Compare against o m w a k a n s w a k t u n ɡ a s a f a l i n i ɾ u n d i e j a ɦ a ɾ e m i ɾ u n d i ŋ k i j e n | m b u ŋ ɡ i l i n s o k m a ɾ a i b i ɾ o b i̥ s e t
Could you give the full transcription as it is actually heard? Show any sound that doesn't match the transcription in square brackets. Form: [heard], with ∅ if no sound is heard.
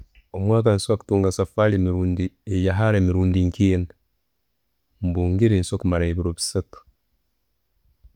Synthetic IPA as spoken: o m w a k a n s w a k t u [ŋ] ɡ a s a f a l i [m] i ɾ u n d i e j a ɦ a ɾ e m i ɾ u n d i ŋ k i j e n | m b u ŋ ɡ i [ɾ] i n s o k m a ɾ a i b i ɾ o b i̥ s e t